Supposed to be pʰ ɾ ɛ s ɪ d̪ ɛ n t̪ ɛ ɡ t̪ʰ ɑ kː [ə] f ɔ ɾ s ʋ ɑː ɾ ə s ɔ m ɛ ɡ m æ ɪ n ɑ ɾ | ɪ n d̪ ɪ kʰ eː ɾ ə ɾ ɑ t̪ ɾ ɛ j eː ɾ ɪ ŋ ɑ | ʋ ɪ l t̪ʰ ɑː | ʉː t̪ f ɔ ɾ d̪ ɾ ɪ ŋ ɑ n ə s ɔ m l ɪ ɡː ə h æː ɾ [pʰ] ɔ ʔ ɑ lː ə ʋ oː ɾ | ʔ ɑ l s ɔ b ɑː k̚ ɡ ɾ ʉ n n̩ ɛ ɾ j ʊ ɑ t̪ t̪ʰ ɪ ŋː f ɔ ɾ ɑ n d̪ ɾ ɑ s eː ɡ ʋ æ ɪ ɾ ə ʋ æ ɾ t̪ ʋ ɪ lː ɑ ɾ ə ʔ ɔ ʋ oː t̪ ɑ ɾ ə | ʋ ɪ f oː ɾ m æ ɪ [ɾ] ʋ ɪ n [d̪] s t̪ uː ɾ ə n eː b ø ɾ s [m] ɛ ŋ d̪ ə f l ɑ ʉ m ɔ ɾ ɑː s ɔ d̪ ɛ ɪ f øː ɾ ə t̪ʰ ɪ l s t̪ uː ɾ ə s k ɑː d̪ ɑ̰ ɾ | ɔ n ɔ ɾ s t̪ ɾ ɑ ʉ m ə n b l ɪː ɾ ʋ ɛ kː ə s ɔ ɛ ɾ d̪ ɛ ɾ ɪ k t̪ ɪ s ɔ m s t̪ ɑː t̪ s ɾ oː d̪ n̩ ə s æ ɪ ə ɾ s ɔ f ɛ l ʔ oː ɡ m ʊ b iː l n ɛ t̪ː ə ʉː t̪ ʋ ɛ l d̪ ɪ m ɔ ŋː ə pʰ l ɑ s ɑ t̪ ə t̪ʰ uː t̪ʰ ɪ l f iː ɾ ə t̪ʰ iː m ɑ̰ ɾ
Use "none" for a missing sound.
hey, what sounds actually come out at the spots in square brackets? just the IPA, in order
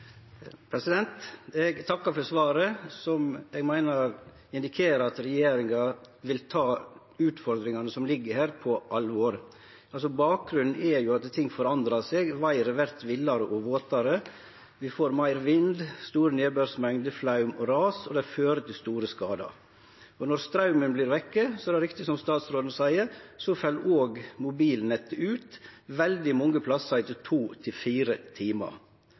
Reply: ɑ, pʰ, ɾ, d̪, m

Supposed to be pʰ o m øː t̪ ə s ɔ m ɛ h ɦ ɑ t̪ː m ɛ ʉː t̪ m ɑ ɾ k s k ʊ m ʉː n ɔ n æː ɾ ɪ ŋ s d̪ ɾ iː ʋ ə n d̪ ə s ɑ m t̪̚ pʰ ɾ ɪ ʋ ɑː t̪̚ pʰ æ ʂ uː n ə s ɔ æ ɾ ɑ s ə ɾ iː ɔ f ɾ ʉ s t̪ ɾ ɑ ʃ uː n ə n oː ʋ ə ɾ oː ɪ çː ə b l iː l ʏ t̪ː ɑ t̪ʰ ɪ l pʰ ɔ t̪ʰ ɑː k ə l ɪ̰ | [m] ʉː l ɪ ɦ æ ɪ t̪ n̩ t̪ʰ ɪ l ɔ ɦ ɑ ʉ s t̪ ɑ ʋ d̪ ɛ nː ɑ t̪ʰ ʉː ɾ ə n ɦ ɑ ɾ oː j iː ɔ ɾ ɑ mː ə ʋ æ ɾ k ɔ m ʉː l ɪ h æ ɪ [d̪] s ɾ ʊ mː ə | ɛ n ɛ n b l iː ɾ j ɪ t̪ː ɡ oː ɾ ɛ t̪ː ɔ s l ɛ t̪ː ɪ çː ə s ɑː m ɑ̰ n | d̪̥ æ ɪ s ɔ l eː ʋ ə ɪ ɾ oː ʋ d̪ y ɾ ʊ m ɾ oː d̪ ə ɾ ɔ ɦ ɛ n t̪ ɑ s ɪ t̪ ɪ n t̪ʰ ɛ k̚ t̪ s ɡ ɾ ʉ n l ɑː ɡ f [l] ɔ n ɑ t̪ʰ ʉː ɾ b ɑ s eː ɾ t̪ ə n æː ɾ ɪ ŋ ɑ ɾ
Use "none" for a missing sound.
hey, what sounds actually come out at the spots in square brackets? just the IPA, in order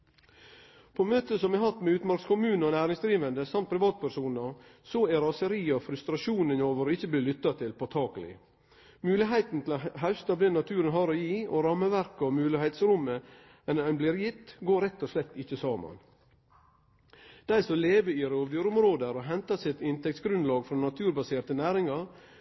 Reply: m, t̪, ɾ

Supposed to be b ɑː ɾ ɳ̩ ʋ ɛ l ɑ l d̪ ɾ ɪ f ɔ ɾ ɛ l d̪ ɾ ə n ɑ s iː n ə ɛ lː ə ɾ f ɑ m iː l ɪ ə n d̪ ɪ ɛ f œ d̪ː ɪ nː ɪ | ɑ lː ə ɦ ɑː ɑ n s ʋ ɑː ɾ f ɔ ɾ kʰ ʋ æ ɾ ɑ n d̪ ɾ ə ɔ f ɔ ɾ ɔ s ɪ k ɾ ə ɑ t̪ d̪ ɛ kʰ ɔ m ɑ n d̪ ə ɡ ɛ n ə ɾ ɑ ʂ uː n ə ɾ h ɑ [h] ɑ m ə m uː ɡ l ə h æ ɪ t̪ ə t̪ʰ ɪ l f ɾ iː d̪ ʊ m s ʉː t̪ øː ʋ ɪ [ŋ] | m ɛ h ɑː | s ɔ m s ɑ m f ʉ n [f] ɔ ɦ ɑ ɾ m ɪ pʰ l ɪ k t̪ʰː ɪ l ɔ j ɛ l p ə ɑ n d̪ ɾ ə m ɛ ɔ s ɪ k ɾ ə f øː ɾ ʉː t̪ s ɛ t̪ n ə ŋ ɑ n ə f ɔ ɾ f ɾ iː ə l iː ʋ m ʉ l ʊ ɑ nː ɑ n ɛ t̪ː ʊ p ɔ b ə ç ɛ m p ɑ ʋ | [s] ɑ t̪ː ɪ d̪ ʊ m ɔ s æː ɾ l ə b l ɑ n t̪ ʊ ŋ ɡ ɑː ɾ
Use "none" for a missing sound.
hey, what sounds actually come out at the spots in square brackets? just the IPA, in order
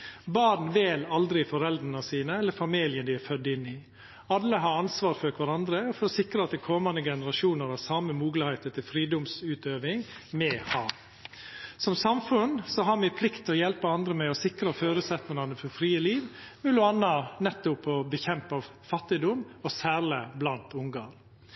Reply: s, ŋ, s, f

